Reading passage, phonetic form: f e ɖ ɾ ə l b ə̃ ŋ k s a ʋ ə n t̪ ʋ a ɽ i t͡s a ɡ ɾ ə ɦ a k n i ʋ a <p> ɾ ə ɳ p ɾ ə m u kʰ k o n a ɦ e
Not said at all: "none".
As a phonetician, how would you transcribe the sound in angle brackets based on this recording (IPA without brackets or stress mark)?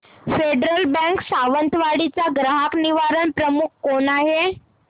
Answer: none